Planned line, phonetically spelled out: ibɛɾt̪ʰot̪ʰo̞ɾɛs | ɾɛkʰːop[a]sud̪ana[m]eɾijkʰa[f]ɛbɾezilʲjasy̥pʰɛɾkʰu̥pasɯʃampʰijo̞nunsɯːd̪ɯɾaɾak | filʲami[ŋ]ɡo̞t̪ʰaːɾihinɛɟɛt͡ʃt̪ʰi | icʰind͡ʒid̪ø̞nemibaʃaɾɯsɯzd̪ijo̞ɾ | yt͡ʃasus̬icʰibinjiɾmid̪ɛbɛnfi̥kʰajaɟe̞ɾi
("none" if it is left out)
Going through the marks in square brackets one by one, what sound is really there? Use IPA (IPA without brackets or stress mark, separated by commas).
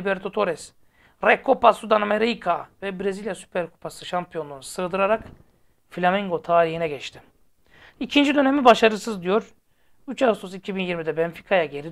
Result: a, m, v, ŋ